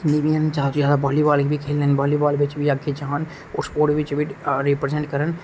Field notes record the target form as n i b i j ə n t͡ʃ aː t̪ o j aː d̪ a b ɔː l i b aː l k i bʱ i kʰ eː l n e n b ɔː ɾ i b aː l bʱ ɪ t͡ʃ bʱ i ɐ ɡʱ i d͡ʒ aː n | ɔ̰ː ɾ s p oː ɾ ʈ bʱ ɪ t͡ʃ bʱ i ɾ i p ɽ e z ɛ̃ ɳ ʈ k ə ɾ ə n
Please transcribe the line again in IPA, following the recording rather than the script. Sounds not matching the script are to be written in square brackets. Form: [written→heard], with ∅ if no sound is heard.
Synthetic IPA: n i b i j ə n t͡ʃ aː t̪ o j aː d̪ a b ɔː l i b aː l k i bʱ i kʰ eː l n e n b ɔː [ɾ→l] i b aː l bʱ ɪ t͡ʃ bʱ i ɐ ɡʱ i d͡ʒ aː n | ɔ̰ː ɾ s p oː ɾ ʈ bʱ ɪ t͡ʃ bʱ i ɾ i p [ɽ→ɾ] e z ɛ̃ ɳ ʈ k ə ɾ ə n